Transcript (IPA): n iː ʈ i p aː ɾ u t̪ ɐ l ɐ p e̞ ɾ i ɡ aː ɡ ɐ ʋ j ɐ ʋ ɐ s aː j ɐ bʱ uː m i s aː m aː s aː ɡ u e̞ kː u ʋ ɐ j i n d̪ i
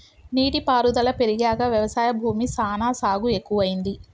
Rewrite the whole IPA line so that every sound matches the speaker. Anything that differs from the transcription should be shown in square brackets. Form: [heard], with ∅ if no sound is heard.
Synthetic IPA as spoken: n iː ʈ i p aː ɾ u [d̪] ɐ l ɐ p e̞ ɾ i ɡ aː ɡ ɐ ʋ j ɐ ʋ ɐ s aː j ɐ bʱ uː m i s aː [n] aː s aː ɡ u e̞ kː u ʋ ɐ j i n d̪ i